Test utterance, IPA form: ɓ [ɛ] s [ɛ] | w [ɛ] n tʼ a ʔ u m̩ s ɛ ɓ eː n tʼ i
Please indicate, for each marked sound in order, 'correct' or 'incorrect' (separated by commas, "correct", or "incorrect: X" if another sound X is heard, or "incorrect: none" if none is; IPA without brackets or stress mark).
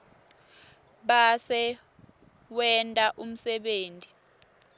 incorrect: a, correct, correct